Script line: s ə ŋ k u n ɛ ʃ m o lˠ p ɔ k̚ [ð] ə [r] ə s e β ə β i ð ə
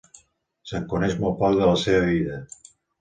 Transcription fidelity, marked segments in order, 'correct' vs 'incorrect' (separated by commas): correct, incorrect